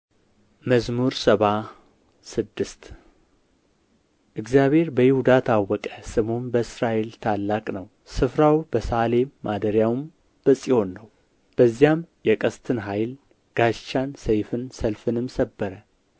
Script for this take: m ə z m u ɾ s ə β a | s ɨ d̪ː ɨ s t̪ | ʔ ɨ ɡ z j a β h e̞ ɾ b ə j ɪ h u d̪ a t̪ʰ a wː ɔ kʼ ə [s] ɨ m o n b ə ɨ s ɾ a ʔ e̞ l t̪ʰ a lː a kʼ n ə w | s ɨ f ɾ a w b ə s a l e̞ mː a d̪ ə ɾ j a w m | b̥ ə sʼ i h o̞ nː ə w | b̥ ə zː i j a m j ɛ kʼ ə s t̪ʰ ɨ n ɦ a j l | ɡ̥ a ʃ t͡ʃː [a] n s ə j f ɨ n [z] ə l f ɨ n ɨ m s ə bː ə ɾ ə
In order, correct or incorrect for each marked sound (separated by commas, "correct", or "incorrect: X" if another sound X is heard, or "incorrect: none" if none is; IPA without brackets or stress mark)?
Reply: correct, correct, incorrect: s